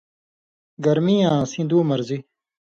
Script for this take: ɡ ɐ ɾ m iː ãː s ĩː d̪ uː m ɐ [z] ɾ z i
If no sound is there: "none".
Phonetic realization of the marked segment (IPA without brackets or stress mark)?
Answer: none